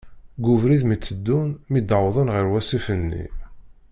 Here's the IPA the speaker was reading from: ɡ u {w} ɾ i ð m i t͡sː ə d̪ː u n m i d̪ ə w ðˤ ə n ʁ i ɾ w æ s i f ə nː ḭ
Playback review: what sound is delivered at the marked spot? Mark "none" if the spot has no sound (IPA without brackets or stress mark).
v